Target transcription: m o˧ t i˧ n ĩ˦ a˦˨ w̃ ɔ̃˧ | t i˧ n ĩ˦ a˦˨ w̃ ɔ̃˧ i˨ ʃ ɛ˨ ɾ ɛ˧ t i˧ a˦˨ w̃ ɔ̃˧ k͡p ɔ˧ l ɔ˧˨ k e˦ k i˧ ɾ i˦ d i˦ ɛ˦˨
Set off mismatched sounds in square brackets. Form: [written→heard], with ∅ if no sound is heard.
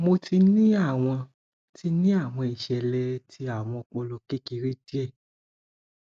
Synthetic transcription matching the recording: m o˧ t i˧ n ĩ˦ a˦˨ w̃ ɔ̃˧ | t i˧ n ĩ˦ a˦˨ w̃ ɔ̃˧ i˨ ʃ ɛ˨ [ɾ→l] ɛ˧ t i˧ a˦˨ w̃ ɔ̃˧ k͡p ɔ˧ l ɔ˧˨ k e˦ k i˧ ɾ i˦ d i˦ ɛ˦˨